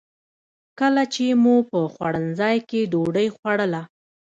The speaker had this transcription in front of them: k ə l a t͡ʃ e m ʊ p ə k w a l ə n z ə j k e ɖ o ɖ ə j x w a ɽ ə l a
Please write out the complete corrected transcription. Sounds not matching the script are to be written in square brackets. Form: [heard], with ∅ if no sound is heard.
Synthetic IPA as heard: k ə l a t͡ʃ e m [u] p ə [x] w a [ɽ] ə n z [ɑ] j k e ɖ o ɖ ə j x w a ɽ ə l a